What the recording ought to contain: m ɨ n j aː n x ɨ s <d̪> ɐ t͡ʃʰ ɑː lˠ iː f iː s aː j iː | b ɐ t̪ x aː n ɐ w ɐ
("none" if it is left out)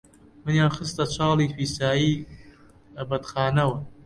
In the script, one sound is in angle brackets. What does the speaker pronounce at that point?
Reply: t̪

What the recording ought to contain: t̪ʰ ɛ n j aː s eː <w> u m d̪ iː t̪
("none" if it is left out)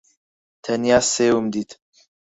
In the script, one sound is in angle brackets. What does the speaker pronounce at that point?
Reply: w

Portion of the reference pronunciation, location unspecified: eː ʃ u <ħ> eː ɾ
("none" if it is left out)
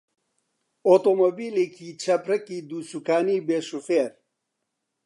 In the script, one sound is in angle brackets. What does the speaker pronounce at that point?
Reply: f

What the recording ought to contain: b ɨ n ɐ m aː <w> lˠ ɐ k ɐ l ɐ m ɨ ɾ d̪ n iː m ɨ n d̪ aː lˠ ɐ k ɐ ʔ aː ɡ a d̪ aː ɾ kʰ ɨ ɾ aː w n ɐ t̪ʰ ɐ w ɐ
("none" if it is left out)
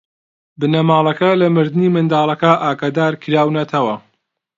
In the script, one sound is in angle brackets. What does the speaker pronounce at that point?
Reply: none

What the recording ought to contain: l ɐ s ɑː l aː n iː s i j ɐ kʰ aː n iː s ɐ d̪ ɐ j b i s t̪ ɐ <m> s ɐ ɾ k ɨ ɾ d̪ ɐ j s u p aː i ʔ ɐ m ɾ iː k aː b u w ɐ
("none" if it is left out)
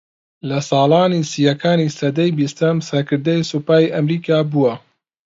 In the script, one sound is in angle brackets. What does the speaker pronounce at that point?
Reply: m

